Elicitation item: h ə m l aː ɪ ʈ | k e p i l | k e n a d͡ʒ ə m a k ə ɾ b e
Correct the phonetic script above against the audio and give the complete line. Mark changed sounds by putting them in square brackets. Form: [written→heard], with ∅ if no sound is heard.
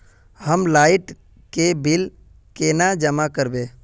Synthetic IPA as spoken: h ə m l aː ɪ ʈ | k e [p→b] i l | k e n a d͡ʒ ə m a k ə ɾ b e